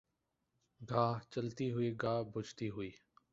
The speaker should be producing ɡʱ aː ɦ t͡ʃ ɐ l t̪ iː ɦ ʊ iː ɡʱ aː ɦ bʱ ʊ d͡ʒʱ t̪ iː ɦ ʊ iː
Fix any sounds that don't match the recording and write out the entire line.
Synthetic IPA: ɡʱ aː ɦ t͡ʃ ə l t̪ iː ɦ ʊ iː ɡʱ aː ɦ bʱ ʊ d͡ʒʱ t̪ iː ɦ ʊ iː